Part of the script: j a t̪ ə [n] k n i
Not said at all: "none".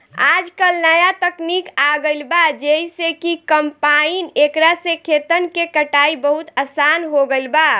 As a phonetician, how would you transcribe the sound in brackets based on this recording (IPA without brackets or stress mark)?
none